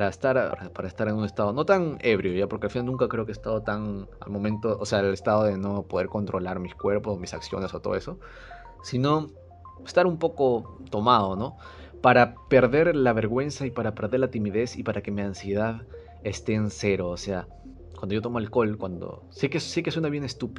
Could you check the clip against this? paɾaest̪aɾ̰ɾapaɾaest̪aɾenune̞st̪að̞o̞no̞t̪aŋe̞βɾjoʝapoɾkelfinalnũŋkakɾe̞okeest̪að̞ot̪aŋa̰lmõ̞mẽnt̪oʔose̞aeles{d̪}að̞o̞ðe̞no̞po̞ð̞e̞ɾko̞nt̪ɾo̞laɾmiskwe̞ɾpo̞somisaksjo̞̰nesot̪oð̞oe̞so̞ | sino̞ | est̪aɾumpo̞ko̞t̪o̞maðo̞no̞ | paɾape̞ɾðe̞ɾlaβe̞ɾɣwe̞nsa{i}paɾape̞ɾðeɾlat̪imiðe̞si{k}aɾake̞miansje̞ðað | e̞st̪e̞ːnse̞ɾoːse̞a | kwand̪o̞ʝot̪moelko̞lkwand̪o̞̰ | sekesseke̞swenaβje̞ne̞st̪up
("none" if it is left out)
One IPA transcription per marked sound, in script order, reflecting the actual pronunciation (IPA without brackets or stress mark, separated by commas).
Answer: t̪, i, p